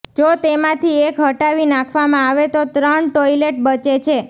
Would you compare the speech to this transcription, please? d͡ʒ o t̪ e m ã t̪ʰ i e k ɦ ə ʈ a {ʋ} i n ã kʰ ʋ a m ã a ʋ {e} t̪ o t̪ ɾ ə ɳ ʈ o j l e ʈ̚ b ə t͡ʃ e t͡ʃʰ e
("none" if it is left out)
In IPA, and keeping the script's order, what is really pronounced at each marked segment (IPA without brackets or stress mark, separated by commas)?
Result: ʋ, e